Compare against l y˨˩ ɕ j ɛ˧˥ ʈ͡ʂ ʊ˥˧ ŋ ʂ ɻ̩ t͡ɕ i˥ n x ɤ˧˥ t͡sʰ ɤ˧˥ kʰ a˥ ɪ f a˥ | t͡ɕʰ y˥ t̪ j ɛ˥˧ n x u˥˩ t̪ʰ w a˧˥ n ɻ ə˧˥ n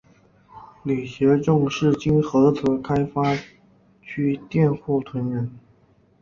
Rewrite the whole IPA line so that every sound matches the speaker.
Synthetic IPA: l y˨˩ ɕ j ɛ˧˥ ʈ͡ʂ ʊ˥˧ ŋ ʂ ɻ̩ t͡ɕ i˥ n x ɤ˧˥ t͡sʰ ɤ˧˥ kʰ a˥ ɪ f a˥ | t͡ɕʰ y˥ t̪ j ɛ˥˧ n x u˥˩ t̪ʰ w ə˧˥ n ɻ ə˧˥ n